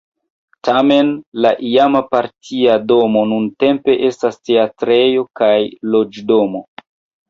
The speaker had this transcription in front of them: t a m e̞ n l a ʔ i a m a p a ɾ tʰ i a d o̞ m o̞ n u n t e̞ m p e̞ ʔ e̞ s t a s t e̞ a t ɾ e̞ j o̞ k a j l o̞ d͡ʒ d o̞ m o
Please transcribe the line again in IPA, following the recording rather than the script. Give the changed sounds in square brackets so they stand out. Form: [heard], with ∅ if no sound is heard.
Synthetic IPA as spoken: t a m e̞ n l a ʔ i a m a p a ɾ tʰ i a d o̞ m o̞ n u n t e̞ m p e̞ ʔ e̞ s t a s t e̞ a t ɾ e̞ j o̞ k a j l o̞ d͡ʒ d o̞ m o